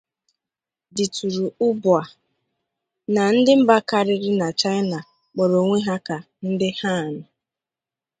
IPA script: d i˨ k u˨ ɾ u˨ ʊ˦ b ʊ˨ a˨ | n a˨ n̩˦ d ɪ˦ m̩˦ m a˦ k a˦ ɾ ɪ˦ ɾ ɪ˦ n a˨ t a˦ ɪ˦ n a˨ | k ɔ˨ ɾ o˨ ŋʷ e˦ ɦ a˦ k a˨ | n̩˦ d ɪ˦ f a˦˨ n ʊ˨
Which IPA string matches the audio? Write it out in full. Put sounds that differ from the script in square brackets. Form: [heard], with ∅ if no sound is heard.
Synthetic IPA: d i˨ [t] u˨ ɾ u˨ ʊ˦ b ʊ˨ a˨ | n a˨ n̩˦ d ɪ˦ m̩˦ [b] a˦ k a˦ ɾ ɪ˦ ɾ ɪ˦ n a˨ [t͡ʃ] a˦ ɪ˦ n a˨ | [k͡p] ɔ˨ ɾ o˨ ŋʷ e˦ ɦ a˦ k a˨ | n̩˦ d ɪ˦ [h] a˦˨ n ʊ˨

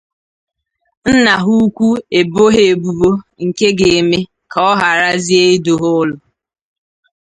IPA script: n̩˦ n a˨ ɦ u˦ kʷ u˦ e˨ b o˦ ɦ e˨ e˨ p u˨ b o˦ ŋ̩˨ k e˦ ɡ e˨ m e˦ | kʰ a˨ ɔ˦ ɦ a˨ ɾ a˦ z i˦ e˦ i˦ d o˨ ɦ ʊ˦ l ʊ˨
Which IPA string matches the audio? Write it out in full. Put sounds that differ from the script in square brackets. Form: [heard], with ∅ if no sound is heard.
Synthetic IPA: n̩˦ n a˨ ɦ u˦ kʷ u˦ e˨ b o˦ ɦ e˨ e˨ [b] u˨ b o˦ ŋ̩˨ k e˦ ɡ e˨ m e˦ | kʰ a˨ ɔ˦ ɦ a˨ ɾ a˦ z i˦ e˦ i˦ d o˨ ɦ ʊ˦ l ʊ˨

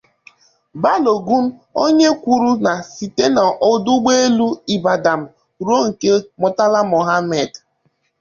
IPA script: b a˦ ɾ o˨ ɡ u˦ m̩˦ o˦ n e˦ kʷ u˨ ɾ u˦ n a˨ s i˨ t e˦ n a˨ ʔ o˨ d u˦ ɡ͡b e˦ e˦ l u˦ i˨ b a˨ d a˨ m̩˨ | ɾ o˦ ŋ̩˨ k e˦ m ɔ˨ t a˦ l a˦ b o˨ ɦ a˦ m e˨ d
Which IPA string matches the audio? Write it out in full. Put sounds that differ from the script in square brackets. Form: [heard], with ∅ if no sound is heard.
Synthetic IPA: b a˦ [l] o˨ ɡ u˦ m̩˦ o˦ [ɲ] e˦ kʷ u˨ ɾ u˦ n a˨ s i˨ t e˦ n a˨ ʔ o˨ d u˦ ɡ͡b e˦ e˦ l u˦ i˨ b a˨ d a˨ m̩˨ | ɾ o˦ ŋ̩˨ k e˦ m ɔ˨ t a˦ l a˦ [m] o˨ ɦ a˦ m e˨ d

